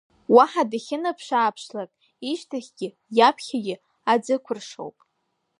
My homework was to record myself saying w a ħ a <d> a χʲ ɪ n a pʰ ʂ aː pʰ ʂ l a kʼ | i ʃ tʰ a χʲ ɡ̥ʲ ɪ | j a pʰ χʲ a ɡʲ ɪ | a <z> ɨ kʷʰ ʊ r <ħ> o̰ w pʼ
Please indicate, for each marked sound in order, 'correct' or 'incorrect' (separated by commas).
correct, incorrect, incorrect